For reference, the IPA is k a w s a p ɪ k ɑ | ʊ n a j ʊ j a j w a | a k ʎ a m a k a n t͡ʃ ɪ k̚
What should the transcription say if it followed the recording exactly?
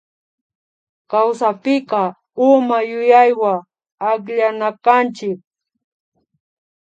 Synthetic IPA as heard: k a w s a p ɪ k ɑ | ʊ m a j ʊ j a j w a | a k ʎ a n a k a n t͡ʃ ɪ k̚